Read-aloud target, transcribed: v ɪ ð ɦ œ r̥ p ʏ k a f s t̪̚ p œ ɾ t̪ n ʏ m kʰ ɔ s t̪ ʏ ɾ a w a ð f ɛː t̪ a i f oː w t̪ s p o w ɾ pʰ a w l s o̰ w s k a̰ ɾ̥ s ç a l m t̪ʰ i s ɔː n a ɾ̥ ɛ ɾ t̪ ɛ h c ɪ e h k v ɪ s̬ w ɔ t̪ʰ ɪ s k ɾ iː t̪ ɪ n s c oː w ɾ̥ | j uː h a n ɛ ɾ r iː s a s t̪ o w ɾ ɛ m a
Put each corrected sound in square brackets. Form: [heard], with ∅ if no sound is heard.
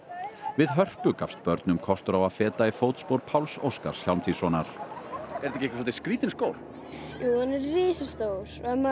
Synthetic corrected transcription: v ɪ ð ɦ œ r̥ p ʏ k a f s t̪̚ p œ ɾ t̪ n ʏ m kʰ ɔ s t̪ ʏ ɾ a w a ð f ɛː t̪ a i f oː w t̪ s p o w ɾ pʰ a w l s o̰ w s k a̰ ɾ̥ s ç a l m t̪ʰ i s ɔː n a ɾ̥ ɛ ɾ t̪ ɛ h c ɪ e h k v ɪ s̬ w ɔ [t̪] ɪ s k ɾ iː t̪ ɪ n s [k] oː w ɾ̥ | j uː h a n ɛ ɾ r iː s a s t̪ o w ɾ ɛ m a